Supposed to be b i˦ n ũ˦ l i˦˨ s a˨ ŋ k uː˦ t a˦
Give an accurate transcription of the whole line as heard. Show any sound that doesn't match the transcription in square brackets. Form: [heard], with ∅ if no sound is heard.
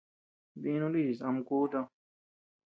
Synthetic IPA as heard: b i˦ n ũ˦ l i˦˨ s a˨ [m] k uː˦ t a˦